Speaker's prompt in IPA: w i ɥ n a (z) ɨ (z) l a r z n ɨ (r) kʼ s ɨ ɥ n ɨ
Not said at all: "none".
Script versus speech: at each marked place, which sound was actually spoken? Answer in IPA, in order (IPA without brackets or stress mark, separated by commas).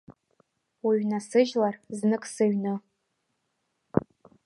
s, ʒ, none